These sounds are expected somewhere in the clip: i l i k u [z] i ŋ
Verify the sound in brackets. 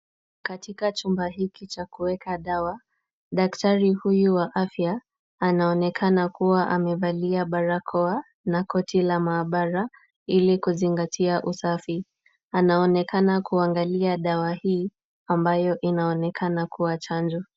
correct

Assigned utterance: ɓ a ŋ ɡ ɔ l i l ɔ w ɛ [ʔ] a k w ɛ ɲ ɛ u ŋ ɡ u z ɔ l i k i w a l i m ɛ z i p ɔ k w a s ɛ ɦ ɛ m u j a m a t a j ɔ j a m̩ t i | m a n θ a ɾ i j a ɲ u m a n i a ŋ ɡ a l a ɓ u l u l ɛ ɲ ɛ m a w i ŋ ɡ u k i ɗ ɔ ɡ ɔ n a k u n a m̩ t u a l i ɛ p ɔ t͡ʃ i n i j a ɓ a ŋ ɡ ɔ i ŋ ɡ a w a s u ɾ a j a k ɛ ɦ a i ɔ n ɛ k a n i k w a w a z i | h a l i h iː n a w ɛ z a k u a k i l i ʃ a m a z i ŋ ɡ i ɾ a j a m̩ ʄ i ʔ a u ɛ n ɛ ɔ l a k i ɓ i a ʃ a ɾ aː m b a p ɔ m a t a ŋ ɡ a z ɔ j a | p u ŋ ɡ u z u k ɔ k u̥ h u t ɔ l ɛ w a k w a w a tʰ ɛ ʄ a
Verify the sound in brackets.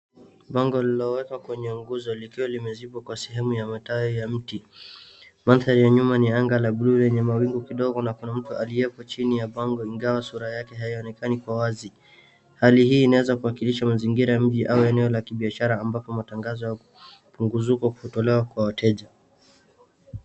incorrect: k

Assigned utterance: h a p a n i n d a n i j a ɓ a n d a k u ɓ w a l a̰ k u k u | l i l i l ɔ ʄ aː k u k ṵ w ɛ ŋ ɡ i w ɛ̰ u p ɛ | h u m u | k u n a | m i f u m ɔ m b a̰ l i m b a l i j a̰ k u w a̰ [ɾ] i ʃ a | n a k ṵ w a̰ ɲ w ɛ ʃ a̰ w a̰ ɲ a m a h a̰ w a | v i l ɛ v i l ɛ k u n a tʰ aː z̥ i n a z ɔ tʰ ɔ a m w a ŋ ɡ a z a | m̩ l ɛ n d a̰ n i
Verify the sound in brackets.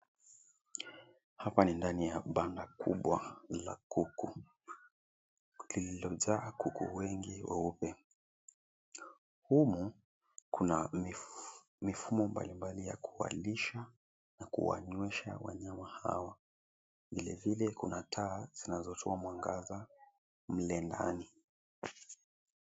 incorrect: l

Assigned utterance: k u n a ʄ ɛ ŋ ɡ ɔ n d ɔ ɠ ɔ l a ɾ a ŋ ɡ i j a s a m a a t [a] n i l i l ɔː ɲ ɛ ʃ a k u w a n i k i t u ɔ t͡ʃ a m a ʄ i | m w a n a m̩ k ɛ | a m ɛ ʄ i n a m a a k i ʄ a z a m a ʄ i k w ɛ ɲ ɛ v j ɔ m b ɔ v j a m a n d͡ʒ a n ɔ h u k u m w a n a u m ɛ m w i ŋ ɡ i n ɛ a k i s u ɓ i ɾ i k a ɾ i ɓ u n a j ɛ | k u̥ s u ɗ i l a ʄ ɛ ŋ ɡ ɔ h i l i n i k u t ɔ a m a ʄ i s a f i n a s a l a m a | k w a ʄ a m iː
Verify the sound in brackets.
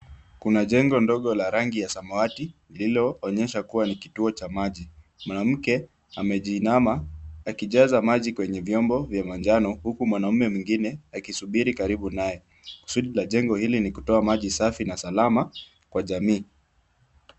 incorrect: i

